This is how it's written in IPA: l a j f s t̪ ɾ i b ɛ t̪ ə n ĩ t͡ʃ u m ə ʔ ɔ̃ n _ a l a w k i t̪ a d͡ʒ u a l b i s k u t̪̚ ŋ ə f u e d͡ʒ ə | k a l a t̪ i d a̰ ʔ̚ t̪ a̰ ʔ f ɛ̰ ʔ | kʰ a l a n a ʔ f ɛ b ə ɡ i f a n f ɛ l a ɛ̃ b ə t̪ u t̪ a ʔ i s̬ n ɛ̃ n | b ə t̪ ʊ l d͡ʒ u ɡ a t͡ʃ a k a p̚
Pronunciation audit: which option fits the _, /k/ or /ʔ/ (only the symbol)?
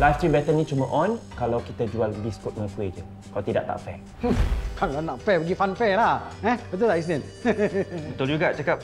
k